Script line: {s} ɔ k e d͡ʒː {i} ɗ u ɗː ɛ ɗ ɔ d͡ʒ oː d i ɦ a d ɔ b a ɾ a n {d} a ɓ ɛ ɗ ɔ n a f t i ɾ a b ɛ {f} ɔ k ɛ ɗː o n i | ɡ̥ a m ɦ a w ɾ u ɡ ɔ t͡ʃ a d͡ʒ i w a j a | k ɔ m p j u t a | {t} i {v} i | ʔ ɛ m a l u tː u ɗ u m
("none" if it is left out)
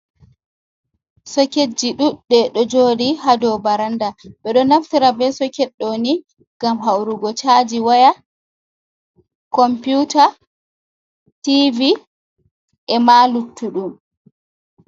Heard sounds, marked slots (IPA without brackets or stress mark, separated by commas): s, i, d, s, t, v